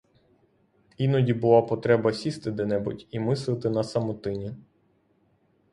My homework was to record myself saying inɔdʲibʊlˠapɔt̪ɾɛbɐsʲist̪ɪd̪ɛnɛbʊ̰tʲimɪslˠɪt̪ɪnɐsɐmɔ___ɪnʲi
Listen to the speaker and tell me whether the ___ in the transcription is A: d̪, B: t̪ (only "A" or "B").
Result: B